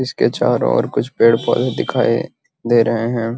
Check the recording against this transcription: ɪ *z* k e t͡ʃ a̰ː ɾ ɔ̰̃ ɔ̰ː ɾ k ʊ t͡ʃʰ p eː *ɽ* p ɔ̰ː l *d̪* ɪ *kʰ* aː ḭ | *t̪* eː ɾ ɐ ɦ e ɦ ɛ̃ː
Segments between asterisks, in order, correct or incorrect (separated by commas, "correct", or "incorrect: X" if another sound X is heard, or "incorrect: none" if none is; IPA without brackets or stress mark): incorrect: s, correct, correct, correct, incorrect: d̪